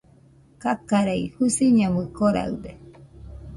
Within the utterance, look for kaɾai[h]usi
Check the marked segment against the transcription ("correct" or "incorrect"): correct